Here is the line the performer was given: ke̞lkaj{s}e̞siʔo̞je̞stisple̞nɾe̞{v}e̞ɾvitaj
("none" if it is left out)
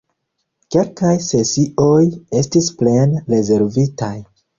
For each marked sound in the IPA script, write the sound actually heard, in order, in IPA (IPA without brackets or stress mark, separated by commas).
s, z